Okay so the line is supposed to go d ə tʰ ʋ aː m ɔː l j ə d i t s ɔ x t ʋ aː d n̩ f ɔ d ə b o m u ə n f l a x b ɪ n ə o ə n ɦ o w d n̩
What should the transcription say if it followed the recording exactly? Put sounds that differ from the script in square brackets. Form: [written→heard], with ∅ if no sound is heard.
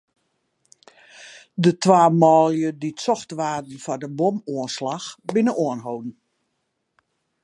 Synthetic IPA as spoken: d ə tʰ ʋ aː m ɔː l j ə d i t s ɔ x t ʋ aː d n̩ f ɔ d ə b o m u ə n [f→s] l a x b ɪ n ə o ə n ɦ o w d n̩

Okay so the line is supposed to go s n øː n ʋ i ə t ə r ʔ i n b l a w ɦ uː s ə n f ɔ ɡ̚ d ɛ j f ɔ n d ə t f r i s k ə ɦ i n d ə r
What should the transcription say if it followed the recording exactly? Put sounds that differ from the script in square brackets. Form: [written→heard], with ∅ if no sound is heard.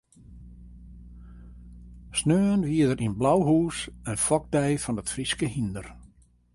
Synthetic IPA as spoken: s n øː n ʋ i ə [t→d] ə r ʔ i n b l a w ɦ uː s ə n f ɔ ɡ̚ d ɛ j f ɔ n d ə t f r i s k ə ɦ i n d ə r

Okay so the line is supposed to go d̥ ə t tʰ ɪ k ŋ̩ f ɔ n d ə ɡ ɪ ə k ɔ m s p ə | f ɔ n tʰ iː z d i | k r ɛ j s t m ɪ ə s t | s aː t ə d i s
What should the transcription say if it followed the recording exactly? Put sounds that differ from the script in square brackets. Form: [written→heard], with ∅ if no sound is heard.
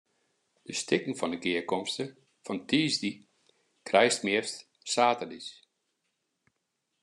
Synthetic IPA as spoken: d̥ ə [t→s] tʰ ɪ k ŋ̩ f ɔ n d ə ɡ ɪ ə k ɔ m s [p→t] ə | f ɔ n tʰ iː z d i | k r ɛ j s t m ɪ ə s t | s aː t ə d i s

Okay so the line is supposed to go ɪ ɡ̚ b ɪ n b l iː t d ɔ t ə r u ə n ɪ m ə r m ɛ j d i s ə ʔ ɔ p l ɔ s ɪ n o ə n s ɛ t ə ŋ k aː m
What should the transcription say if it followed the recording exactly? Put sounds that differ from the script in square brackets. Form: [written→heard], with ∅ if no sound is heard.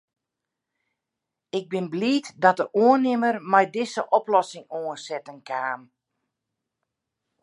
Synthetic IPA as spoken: ɪ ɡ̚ b ɪ n b l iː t d ɔ t ə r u ə n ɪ m ə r m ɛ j d [i→ɪ] s ə ʔ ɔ p l ɔ s ɪ [n→ŋ] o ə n s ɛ t ə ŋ k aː m

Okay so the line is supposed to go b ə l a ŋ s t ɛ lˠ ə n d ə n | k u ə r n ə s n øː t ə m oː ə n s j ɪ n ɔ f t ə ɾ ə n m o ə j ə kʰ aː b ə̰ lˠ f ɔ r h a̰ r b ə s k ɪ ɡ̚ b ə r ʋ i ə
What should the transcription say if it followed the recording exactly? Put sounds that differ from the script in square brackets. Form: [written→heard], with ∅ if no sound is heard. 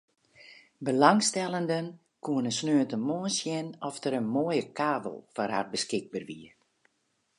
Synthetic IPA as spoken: b ə l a ŋ s t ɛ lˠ ə n d ə n | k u ə [r→∅] n ə s n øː t ə m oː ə n s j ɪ n ɔ f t ə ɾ ə n m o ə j ə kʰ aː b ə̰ lˠ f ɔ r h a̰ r b ə s k ɪ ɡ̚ b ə r ʋ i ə

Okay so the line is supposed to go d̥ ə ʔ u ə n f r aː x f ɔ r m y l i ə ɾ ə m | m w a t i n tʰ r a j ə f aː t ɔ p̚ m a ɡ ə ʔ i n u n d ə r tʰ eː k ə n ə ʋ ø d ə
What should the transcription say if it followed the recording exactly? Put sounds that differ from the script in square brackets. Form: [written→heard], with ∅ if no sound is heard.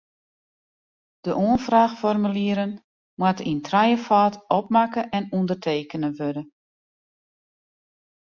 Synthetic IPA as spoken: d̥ ə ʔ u ə n f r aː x f ɔ r m y l i ə ɾ ə [m→n] | m w a t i n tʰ r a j ə f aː t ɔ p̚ m a [ɡ→k] ə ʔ [i→ɛ] n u n d ə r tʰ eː k ə n ə ʋ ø d ə

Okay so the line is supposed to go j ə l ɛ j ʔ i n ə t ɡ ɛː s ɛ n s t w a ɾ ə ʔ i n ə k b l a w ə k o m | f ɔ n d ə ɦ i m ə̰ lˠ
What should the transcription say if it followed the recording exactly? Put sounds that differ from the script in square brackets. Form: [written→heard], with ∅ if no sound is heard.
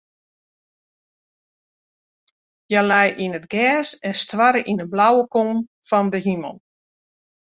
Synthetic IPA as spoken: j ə l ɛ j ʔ i n ə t ɡ ɛː s ɛ n s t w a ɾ ə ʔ i n ə [k→∅] b l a w ə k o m | f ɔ n d ə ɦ i m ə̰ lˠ

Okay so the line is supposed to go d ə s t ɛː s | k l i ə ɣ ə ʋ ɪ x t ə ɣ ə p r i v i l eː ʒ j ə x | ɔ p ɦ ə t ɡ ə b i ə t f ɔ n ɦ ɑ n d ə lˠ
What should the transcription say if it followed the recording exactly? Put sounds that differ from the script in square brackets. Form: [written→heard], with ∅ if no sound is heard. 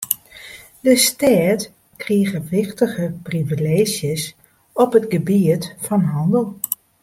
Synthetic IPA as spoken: d ə s t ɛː [s→t] | k [l→r] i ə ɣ ə ʋ ɪ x t ə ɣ ə p r i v i l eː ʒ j ə [x→s] | ɔ p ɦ ə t ɡ ə b i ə t f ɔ n ɦ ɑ n d ə lˠ

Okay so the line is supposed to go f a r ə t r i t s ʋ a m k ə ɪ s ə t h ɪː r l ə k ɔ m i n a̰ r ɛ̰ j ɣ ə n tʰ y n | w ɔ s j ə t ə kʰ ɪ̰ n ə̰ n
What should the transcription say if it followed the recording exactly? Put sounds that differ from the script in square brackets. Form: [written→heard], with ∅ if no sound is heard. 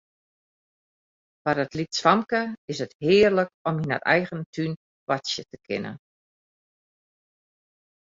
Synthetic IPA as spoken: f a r ə t [r→l] i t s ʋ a m k ə ɪ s ə t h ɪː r l ə k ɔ m i n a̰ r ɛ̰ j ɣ ə n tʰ y n | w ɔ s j ə t ə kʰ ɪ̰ n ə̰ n

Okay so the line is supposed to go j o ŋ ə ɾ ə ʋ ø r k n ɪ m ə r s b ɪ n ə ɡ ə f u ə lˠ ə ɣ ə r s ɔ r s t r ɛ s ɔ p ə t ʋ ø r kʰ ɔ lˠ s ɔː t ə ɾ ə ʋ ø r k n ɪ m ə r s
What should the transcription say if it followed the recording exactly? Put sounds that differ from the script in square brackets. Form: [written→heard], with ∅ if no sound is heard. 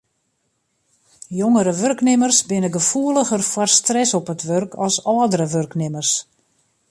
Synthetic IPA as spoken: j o ŋ ə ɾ ə ʋ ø r k n ɪ m ə r s b ɪ n ə ɡ ə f u ə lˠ ə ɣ ə r [s→f] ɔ r s t r ɛ s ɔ p ə t ʋ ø r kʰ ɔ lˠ s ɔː [t→d] ə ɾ ə ʋ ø r k n ɪ m ə r s

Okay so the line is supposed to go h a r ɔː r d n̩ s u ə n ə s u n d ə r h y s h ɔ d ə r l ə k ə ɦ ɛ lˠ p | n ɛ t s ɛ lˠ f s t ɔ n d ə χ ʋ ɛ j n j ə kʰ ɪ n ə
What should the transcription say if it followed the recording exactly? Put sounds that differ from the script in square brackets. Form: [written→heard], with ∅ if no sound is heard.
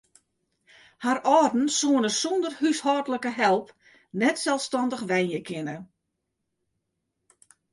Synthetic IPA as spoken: h a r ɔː r d n̩ s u ə n ə s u n d ə r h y s h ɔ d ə [r→∅] l ə k ə ɦ ɛ lˠ p | n ɛ t s ɛ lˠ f s t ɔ n d ə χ ʋ ɛ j n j ə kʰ ɪ n ə

